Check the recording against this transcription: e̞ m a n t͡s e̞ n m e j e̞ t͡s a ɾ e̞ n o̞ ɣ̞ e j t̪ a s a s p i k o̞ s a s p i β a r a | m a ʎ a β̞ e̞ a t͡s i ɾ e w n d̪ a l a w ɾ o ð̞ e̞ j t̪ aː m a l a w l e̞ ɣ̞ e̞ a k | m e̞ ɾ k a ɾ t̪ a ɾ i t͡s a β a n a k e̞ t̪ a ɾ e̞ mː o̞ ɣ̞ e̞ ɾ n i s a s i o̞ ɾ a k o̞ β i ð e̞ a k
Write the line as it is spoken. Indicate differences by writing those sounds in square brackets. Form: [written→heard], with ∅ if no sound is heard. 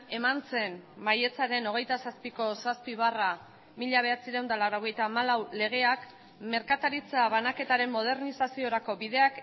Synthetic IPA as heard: e̞ m a n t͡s e̞ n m [e→a] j e̞ t͡s a ɾ e̞ n o̞ ɣ̞ e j t̪ a s a s p i k o̞ s a s p i β a r a | m [a→i] ʎ a β̞ e̞ a t͡s i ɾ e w n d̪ a l a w ɾ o [ð̞→ɣ̞] e̞ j t̪ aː m a l a w l e̞ ɣ̞ e̞ a k | m e̞ ɾ k a [ɾ→∅] t̪ a ɾ i t͡s a β a n a k e̞ t̪ a ɾ e̞ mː o̞ [ɣ̞→ð̞] e̞ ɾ n i s a s i o̞ ɾ a k o̞ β i ð e̞ a k